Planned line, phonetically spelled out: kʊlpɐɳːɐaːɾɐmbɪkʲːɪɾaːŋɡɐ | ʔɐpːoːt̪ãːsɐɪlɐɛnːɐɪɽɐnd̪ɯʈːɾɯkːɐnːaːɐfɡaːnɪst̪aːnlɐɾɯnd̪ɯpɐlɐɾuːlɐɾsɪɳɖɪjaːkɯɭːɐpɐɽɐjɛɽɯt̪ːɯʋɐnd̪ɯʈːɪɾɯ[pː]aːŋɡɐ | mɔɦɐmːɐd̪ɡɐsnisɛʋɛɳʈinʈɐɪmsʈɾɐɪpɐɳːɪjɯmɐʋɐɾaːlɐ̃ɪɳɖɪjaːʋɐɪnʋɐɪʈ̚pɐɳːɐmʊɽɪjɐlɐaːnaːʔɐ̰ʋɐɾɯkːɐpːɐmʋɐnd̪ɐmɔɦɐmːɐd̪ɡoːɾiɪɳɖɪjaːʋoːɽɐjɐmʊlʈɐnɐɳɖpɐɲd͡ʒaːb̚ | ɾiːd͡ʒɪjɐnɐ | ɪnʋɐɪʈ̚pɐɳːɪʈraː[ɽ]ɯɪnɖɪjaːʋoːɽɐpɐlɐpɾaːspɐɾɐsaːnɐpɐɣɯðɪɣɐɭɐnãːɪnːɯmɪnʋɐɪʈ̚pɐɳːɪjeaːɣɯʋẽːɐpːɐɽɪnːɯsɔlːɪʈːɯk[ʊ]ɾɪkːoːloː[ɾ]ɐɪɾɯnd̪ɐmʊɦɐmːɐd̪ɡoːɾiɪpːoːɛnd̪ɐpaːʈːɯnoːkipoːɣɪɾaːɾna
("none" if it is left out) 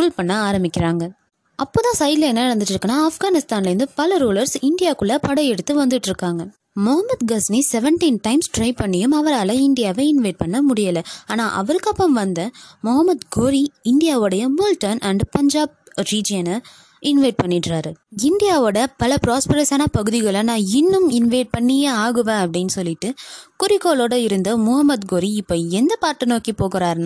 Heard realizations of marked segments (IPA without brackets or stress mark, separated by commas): kː, ɾ, ʊ, ɽ